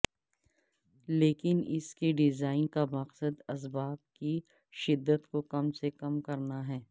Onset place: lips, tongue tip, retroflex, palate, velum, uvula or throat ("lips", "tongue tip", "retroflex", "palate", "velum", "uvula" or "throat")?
tongue tip